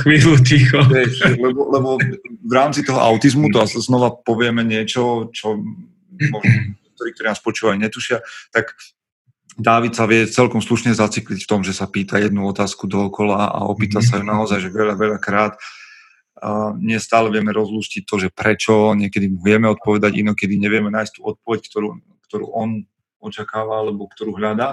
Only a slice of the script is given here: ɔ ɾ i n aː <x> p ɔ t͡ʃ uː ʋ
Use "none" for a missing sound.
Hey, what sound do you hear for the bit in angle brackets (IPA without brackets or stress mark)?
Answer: s